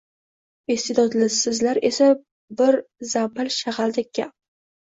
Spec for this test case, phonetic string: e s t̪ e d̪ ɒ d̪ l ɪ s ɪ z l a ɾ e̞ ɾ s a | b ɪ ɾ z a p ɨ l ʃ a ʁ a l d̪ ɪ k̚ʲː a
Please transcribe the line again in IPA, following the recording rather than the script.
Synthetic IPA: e s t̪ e d̪ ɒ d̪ l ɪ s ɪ z l a ɾ e̞ s a | b ɪ ɾ z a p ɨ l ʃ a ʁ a l d̪ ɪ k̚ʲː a